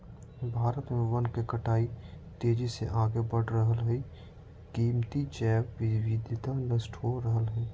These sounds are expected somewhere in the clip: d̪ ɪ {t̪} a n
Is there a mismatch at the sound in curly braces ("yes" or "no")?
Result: no